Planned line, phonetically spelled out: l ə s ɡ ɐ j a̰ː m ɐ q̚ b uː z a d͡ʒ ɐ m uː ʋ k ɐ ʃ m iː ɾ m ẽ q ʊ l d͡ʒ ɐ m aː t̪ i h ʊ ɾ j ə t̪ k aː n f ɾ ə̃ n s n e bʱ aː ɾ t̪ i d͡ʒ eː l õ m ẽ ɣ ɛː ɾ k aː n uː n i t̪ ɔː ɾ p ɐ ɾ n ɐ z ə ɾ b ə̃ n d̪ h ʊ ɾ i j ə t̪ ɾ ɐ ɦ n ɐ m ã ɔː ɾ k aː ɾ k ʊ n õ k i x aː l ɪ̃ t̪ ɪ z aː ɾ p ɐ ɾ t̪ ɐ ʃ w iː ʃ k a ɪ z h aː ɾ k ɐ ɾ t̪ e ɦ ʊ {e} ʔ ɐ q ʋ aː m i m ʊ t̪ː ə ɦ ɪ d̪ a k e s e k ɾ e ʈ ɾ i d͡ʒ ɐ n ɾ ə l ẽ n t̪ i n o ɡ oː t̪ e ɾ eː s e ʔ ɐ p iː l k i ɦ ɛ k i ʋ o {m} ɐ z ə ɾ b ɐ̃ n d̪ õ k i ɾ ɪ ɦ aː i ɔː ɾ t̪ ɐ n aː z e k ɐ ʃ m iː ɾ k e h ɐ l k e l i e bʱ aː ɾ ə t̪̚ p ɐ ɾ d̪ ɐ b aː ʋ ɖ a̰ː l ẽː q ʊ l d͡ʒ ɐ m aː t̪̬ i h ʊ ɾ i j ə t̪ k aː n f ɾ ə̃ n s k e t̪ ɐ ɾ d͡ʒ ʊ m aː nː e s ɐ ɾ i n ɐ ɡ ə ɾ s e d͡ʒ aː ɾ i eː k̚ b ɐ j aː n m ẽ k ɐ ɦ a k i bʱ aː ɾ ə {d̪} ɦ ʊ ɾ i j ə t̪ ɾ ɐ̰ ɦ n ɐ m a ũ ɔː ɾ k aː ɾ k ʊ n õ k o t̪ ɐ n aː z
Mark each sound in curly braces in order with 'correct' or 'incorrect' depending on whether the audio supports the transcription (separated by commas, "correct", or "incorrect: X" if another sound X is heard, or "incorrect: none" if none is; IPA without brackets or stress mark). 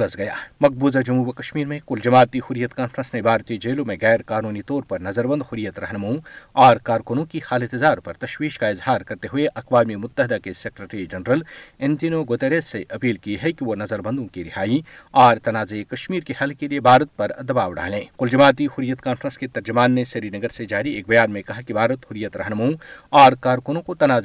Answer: correct, incorrect: n, incorrect: t̪